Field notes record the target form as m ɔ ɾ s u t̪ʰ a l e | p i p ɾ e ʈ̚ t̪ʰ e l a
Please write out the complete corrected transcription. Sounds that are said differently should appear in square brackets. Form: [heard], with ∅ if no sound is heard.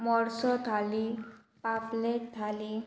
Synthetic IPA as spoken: m ɔ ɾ s [ɔ] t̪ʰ a l [i] | p [a] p [l] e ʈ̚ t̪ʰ [a] l [i]